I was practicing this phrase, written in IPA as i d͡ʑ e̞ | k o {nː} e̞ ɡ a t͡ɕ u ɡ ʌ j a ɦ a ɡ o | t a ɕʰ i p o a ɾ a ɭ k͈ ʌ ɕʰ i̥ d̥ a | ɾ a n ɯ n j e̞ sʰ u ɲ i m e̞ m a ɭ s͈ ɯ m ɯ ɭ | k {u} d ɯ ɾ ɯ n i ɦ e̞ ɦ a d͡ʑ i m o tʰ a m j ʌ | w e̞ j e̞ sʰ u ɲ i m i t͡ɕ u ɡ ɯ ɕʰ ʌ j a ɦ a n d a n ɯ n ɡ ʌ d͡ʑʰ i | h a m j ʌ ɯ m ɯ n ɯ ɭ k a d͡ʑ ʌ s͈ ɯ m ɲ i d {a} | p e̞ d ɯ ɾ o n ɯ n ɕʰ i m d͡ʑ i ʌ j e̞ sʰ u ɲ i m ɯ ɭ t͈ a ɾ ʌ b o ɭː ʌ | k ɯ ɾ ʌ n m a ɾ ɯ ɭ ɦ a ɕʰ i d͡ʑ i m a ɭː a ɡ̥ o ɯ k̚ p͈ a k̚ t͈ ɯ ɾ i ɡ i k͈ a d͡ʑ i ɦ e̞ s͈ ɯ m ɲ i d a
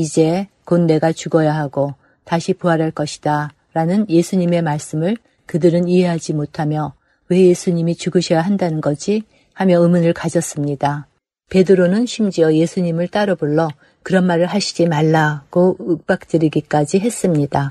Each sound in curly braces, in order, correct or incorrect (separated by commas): correct, incorrect, correct